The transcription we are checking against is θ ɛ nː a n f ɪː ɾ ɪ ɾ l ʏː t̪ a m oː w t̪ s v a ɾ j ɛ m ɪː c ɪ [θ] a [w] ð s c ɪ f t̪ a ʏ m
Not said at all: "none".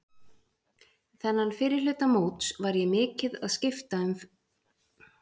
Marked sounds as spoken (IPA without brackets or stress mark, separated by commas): ð, none